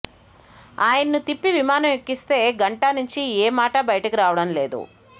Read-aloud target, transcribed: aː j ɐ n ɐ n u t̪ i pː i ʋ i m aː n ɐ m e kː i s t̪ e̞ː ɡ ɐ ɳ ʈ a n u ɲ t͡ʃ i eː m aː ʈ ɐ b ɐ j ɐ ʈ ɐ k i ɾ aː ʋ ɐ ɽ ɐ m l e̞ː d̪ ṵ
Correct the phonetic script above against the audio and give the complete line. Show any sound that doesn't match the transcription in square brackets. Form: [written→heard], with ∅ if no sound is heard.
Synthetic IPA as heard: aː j ɐ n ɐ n u t̪ i pː i ʋ i m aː n ɐ m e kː i s t̪ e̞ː ɡ ɐ ɳ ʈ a n u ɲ t͡ʃ i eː m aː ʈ ɐ b ɐ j ɐ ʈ ɐ k i ɾ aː ʋ ɐ ɽ ɐ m l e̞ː d̪ ṵ